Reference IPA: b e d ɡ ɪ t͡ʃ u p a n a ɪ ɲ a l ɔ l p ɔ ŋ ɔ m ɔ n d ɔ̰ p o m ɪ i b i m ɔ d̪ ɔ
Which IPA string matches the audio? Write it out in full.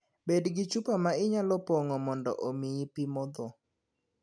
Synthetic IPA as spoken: b e d ɡ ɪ t͡ʃ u p a m a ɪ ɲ a l ɔ p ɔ ŋ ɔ m ɔ n d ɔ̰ ʔ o m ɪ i p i m ɔ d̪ ɔ

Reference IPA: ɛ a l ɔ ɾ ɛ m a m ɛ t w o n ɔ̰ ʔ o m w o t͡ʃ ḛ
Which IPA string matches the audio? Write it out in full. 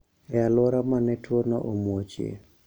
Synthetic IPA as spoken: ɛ a l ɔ ɾ a m a n ɛ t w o n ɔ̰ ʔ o m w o t͡ʃ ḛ

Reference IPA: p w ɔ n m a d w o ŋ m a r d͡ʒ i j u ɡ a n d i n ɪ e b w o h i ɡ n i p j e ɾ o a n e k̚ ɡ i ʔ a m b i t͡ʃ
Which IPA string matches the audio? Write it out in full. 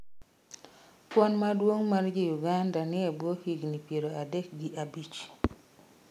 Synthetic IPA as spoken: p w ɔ n m a d w o ŋ m a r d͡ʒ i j u ɡ a n d a n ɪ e b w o h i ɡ n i p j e ɾ o a d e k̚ ɡ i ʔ a b i t͡ʃ

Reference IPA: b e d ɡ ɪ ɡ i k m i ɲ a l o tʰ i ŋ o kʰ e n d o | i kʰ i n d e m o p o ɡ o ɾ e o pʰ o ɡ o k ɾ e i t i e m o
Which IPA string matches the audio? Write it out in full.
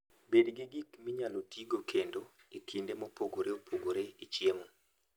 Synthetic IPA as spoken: b e d ɡ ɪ ɡ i k m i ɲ a l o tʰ i ɡ o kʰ e n d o | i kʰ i n d e m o p o ɡ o ɾ e o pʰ o ɡ o ɾ e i t͡ʃ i e m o

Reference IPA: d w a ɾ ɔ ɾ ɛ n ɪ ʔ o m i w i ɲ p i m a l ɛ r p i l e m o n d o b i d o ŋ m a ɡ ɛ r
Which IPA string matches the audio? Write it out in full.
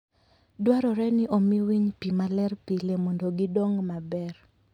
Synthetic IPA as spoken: d w a ɾ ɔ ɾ ɛ n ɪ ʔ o m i w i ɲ p i m a l ɛ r p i l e m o n d o ɡ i d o ŋ m a b ɛ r

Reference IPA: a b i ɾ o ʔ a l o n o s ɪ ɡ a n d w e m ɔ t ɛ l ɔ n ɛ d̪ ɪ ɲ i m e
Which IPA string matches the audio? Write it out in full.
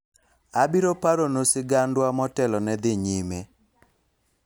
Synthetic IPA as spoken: a b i ɾ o p a ɾ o n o s ɪ ɡ a n d w a m ɔ t ɛ l ɔ n ɛ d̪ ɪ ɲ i m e

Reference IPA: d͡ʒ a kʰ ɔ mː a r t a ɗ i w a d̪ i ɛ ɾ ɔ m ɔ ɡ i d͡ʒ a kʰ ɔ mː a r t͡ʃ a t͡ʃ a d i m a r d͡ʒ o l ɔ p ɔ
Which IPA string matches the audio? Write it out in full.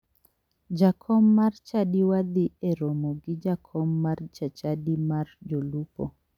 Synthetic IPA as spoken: d͡ʒ a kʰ ɔ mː a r t͡ʃ a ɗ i w a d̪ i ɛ ɾ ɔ m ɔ ɡ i d͡ʒ a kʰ ɔ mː a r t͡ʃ a t͡ʃ a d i m a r d͡ʒ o l u p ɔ

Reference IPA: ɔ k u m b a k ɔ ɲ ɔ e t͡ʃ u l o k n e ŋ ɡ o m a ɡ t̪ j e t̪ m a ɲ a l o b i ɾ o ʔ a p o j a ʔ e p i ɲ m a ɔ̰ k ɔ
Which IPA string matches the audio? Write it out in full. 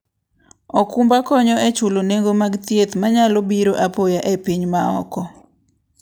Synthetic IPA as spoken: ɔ k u m b a k ɔ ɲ ɔ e t͡ʃ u l o n e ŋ ɡ o m a ɡ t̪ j e t̪ m a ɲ a l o b i ɾ o ʔ a p o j a ʔ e p i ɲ m a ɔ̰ k ɔ

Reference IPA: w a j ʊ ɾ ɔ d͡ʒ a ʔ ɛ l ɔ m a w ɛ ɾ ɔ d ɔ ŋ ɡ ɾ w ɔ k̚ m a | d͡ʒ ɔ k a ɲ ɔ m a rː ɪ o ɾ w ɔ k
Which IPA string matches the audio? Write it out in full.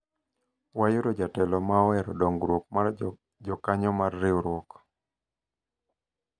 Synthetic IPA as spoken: w a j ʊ ɾ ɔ d͡ʒ a t ɛ l ɔ m a w ɛ ɾ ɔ d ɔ ŋ ɡ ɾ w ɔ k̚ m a | d͡ʒ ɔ k a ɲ ɔ m a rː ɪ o ɾ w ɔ k

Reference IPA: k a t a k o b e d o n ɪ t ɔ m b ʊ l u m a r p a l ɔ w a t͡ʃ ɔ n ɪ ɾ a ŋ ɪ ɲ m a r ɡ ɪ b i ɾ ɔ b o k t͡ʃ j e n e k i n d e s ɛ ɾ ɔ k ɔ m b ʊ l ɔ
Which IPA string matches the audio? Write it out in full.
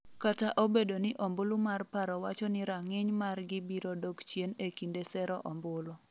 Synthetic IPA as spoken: k a t a ʔ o b e d o n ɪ ʔ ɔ m b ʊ l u m a r p a ɾ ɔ w a t͡ʃ ɔ n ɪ ɾ a ŋ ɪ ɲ m a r ɡ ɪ b i ɾ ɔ d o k t͡ʃ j e n e k i n d e s ɛ ɾ ɔ ʔ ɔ m b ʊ l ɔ

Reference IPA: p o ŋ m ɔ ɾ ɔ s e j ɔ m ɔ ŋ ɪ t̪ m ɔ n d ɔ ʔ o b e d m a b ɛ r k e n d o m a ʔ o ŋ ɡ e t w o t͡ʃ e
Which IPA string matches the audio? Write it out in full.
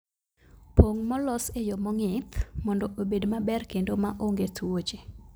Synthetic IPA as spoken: p o ŋ m ɔ l ɔ s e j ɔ m ɔ ŋ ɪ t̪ m ɔ n d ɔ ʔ o b e d m a b ɛ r k e n d o m a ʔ o ŋ ɡ e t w o t͡ʃ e

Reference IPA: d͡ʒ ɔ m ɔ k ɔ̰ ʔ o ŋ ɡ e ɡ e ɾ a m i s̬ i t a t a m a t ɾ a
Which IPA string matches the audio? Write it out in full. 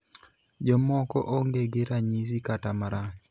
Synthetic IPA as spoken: d͡ʒ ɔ m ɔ k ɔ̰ ʔ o ŋ ɡ e ɡ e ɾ a ɲ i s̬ i k a t a m a ɾ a

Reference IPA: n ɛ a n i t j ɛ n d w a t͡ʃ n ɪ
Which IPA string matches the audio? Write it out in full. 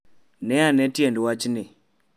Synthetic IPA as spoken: n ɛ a n ɛ t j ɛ n d w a t͡ʃ n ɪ

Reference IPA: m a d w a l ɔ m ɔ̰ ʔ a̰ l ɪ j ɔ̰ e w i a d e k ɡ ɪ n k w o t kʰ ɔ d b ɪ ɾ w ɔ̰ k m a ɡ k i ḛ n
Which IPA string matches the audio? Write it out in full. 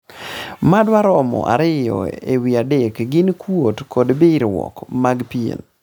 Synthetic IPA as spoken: m a d w a ɾ ɔ m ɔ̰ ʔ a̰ ɾ ɪ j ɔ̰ e w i a d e k ɡ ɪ n k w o t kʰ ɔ d b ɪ ɾ w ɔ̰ k m a ɡ p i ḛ n

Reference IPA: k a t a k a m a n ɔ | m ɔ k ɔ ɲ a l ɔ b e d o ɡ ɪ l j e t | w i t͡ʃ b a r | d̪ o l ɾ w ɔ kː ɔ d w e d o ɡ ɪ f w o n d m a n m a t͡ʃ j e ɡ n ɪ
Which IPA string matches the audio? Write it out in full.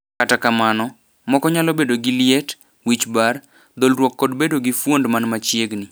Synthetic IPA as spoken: k a t a k a m a n ɔ | m ɔ k ɔ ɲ a l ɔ b e d o ɡ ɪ l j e t | w i t͡ʃ b a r | d̪ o l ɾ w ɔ kː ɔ d b e d o ɡ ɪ f w o n d m a n m a t͡ʃ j e ɡ n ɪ

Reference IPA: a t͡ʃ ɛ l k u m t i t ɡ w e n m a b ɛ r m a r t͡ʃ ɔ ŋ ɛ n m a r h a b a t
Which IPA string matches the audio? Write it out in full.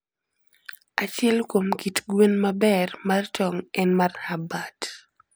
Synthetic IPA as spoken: a t͡ʃ ɛ l k o m k i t ɡ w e n m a b ɛ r m a r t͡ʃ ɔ ŋ ɛ n m a r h a b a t

